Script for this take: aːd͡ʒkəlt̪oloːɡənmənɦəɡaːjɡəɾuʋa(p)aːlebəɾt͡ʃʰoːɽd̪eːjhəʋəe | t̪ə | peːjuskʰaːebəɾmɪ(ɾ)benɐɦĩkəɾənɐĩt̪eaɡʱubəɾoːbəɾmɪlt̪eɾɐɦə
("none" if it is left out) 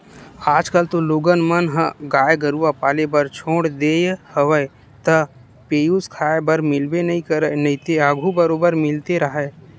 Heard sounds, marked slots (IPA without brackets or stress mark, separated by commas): p, l